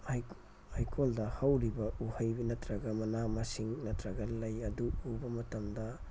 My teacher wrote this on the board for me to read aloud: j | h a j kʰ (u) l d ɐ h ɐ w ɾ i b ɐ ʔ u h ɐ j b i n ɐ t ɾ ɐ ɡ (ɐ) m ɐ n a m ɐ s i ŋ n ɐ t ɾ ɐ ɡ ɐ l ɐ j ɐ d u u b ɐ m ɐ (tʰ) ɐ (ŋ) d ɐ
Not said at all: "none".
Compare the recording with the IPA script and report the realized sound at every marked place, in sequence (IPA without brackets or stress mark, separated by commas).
o, ɐ, t, m